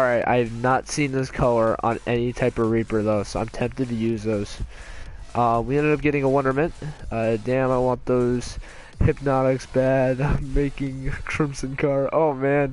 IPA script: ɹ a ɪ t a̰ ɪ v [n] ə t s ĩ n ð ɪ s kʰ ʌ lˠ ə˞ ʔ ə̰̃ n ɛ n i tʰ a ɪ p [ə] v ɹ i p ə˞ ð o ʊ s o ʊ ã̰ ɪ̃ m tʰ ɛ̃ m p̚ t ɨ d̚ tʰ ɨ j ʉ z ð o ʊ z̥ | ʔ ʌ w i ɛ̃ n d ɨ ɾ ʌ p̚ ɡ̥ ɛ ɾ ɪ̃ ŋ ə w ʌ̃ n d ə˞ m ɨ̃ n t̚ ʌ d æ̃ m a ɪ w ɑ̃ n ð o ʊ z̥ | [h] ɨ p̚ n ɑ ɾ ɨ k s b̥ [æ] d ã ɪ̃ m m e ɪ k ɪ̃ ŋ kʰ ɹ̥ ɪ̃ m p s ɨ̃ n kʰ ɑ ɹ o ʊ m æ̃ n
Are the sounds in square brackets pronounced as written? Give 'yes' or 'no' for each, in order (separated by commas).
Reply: yes, no, yes, yes